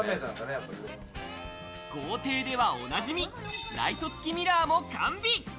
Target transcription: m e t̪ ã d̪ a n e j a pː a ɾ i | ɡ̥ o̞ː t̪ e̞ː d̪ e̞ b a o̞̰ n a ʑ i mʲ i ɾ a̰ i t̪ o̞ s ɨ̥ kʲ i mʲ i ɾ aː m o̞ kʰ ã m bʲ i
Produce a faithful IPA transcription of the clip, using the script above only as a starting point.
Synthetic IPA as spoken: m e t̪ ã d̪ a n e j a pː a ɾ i | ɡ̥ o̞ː t̪ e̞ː d̪ e̞ β a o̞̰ n a ʑ i mʲ i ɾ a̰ i t̪ o̞ t͡s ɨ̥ kʲ i mʲ i ɾ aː m o̞ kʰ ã m bʲ i